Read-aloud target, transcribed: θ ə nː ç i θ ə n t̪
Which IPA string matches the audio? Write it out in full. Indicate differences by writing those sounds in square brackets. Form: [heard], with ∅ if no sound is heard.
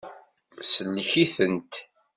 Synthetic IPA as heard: [s] ə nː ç i θ ə n t̪